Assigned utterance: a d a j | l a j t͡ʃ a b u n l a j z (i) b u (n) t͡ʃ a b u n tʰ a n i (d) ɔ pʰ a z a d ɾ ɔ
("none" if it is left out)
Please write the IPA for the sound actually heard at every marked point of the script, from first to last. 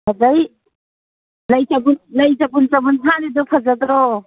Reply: a, n, d

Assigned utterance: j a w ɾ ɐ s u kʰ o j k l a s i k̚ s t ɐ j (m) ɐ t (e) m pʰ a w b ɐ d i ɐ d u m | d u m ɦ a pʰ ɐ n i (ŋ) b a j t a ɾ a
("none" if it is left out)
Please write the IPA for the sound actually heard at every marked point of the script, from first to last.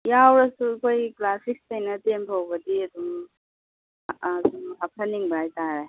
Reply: n, e, ŋ

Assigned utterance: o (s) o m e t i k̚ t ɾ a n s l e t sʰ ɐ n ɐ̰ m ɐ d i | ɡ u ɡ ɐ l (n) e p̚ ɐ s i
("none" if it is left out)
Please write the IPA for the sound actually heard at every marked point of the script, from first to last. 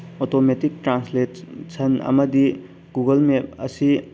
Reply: t, m

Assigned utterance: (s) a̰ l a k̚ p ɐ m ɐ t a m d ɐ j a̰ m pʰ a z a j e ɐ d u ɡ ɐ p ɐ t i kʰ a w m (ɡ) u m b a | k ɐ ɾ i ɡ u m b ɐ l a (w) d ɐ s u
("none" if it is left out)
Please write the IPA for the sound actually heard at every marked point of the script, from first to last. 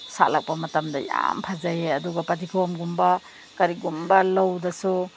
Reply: s, ɡ, w

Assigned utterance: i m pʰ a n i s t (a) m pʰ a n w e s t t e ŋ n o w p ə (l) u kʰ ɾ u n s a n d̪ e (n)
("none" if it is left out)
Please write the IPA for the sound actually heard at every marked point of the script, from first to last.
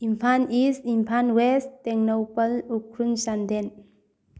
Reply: i, l, n

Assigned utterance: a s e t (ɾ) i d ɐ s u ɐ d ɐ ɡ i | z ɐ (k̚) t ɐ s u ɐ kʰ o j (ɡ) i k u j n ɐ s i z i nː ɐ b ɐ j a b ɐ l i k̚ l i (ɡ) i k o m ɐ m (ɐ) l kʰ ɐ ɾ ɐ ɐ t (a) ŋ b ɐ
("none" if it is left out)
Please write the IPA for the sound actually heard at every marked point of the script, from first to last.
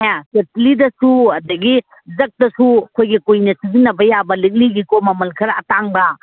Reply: l, k̚, ɡ, ɡ, ɐ, a

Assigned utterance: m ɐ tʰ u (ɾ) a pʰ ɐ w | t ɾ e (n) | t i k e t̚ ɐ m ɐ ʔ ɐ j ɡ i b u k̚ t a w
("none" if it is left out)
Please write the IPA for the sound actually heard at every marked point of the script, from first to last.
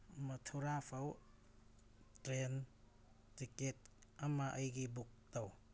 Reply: ɾ, n

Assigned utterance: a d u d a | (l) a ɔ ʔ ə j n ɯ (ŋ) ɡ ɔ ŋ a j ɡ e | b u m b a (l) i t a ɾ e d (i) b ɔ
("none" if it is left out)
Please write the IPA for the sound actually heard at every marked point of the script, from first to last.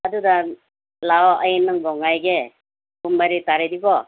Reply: l, ŋ, ɾ, i

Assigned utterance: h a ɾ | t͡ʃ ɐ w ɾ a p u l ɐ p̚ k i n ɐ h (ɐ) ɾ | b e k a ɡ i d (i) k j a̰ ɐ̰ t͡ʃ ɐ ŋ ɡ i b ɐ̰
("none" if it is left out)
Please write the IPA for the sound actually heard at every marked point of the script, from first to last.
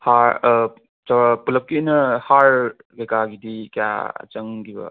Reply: a, i

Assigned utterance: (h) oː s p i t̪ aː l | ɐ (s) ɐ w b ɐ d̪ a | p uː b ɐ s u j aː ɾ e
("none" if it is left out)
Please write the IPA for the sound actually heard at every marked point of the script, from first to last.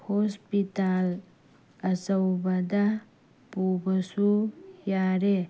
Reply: h, s

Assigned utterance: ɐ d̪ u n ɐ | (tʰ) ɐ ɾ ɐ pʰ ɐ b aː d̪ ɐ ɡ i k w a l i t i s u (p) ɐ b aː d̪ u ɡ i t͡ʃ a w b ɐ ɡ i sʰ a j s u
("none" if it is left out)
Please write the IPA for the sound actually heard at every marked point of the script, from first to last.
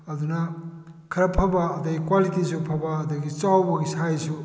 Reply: kʰ, pʰ

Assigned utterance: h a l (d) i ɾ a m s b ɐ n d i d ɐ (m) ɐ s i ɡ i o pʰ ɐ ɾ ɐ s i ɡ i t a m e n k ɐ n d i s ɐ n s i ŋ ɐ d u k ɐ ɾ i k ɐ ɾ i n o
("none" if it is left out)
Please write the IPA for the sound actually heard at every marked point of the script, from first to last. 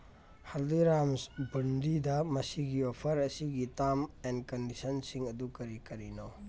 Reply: d, m

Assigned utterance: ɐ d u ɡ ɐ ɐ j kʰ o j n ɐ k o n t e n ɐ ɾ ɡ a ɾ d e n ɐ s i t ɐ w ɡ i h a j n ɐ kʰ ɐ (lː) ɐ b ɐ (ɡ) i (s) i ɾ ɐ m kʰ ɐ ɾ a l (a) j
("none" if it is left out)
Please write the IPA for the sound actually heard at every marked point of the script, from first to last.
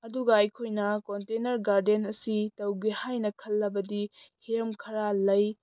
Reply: lː, d, h, ɐ

